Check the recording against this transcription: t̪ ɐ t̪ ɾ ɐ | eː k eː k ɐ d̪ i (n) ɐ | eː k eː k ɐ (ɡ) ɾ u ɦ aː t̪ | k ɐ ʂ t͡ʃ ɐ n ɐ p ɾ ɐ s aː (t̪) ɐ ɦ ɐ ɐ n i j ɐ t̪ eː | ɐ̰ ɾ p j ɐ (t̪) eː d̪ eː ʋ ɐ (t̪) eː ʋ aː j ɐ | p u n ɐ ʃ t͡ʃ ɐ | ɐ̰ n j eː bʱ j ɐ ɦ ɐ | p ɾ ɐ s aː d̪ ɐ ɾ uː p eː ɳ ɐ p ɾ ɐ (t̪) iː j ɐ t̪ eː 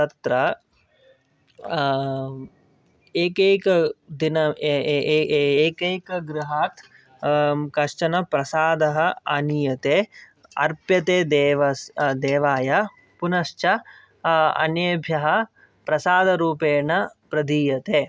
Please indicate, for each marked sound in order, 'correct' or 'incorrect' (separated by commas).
correct, correct, incorrect, correct, incorrect, incorrect